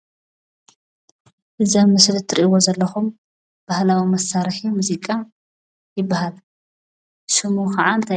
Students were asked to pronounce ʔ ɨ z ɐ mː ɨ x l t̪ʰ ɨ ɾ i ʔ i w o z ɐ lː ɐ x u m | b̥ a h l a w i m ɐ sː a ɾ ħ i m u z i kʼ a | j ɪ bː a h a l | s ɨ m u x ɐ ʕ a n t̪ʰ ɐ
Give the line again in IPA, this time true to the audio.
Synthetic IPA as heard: ʔ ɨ z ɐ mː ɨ s l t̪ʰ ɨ ɾ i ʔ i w o z ɐ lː ɐ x u m | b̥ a h l a w i m ɐ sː a ɾ ħ i m u z i kʼ a | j ɪ bː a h a l | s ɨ m u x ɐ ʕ a n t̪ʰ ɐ